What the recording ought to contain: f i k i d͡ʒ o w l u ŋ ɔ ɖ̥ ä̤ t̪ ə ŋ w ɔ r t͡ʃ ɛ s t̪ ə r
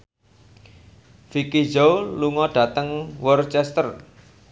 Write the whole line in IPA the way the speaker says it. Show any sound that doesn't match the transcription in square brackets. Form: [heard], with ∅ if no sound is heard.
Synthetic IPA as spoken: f i k i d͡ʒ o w l u ŋ ɔ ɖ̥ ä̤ t̪ ə ŋ w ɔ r t͡ʃ ɛ s t̪ ə r